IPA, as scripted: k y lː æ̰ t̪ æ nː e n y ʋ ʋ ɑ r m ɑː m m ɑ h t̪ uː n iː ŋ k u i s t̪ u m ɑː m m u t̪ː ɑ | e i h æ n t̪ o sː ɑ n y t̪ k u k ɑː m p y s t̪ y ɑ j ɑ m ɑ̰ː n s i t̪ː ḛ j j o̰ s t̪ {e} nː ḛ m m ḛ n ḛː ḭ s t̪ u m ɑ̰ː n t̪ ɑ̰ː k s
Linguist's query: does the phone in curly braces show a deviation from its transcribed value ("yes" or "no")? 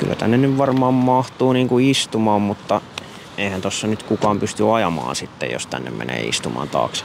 yes